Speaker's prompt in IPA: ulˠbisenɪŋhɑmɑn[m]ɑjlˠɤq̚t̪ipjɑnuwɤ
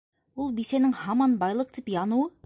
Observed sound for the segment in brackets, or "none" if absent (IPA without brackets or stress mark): b